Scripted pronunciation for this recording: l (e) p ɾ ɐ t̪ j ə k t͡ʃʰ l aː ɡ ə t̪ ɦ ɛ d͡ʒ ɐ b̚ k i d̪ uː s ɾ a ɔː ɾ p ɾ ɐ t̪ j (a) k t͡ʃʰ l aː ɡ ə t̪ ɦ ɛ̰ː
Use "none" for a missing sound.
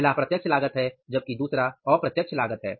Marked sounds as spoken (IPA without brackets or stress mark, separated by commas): a, ə